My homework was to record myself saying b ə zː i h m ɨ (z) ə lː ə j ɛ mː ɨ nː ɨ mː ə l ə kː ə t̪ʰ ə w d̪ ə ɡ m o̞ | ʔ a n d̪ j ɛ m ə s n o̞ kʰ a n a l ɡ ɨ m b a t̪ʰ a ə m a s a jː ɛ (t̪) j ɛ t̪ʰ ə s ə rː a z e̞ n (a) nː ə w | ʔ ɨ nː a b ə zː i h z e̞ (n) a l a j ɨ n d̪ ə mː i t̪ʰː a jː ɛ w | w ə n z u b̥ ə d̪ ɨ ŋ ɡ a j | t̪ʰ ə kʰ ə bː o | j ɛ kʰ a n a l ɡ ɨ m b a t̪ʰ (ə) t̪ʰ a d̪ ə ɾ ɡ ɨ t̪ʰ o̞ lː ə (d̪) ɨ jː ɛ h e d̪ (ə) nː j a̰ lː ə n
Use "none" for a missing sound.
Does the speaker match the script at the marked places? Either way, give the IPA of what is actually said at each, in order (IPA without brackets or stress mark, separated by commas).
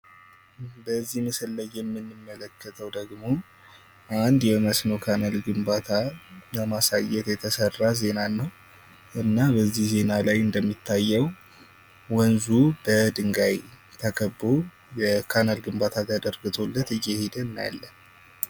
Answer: s, t̪, a, n, a, t̪, ə